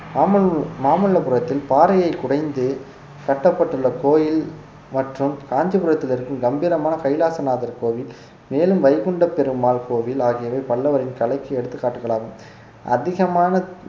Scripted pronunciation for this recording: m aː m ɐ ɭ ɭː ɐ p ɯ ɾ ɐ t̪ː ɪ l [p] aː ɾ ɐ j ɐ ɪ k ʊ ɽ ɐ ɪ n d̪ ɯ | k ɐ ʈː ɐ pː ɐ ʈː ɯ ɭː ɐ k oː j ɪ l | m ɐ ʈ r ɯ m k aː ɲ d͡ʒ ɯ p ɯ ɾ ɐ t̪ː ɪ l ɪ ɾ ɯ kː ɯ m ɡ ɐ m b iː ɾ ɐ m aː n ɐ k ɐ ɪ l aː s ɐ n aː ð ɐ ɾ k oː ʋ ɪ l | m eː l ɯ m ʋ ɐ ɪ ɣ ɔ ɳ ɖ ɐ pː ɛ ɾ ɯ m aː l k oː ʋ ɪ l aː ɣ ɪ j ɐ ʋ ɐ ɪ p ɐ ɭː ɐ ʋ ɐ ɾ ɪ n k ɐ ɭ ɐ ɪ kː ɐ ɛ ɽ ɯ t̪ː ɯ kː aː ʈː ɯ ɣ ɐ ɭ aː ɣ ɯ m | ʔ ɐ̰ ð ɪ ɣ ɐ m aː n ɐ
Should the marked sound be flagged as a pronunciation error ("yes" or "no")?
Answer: no